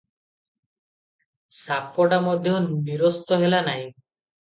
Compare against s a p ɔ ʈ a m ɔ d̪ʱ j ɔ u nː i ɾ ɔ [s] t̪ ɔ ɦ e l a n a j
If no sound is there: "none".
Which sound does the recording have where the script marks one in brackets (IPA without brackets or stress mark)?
s